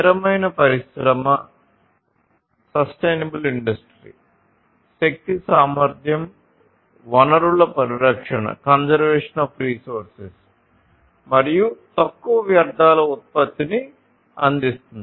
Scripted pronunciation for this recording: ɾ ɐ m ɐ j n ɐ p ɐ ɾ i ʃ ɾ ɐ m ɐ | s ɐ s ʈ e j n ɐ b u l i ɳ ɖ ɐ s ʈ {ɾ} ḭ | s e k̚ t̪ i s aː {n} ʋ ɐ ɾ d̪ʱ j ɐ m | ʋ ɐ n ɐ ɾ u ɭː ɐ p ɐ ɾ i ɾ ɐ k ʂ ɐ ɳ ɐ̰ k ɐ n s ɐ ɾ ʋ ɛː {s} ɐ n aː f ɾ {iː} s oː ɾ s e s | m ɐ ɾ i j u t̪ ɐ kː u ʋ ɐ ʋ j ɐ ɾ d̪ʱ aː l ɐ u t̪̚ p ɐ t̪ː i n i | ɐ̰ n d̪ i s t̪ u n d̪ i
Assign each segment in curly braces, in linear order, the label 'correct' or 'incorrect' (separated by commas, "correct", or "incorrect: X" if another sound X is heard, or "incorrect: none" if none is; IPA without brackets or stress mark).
correct, incorrect: m, incorrect: ʂ, correct